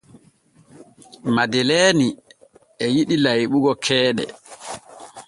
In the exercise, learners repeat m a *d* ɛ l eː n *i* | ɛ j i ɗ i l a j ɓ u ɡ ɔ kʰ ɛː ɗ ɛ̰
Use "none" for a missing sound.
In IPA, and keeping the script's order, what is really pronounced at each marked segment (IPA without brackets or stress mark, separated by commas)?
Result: d, i